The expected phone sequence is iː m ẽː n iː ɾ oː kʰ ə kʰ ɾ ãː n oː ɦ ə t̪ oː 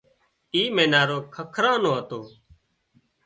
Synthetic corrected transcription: iː m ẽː n aː ɾ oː kʰ ə kʰ ɾ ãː n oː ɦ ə t̪ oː